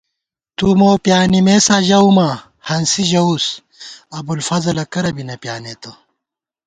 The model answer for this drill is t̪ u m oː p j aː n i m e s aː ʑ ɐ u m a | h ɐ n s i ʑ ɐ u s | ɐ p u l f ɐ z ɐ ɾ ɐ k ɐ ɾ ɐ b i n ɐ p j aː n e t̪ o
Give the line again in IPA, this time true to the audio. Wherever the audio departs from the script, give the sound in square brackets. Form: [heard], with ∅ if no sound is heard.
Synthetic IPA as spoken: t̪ u m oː p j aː n i m e s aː ʑ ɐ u m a | h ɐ n s i ʑ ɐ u s | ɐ [b] u l f ɐ z ɐ [l] ɐ k ɐ ɾ ɐ b i n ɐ p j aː n e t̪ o